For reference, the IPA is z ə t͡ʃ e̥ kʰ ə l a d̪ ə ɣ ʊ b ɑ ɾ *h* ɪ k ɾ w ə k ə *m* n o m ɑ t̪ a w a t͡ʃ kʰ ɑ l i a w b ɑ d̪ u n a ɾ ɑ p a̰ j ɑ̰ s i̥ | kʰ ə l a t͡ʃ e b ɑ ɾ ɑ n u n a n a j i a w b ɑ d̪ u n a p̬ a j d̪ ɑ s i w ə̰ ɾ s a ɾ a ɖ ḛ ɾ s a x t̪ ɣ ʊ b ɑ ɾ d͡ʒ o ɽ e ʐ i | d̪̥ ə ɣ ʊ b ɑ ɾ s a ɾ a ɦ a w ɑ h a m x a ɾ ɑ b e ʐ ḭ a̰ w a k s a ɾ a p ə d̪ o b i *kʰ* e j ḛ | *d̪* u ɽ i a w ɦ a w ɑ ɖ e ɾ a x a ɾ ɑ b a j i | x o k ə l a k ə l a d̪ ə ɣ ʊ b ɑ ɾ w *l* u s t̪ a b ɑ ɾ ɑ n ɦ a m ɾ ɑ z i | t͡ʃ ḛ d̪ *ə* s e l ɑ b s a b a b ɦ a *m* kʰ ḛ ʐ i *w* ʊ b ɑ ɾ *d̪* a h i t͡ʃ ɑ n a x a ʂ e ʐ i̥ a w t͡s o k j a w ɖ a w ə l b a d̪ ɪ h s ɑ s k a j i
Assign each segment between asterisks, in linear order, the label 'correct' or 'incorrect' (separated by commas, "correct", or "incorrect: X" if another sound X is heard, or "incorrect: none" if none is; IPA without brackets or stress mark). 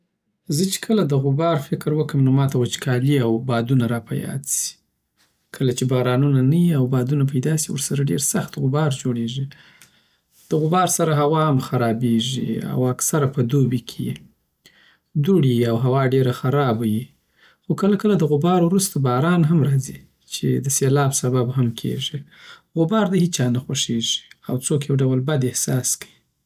incorrect: f, correct, correct, correct, incorrect: ɾ, correct, correct, incorrect: ɣ, correct